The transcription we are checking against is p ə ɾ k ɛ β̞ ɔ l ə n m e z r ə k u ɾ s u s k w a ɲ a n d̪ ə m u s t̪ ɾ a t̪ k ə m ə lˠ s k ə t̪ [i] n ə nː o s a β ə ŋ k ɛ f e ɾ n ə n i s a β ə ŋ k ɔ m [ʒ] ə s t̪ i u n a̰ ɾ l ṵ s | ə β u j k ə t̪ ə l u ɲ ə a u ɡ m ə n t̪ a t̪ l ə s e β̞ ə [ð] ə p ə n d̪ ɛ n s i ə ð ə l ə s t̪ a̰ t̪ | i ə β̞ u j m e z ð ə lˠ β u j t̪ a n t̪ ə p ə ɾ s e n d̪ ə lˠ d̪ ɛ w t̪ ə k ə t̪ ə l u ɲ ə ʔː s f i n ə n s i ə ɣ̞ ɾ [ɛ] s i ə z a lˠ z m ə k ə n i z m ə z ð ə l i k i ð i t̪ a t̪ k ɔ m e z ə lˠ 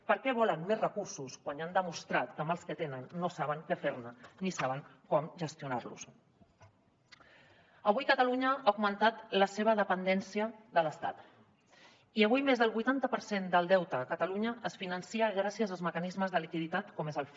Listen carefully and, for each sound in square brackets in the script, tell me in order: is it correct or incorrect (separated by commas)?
incorrect, correct, correct, incorrect